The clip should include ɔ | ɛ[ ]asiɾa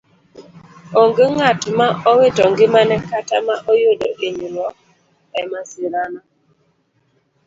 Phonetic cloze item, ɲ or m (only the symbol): m